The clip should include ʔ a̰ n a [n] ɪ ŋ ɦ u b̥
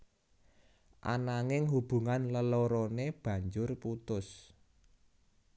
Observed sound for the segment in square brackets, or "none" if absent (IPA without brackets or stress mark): ŋ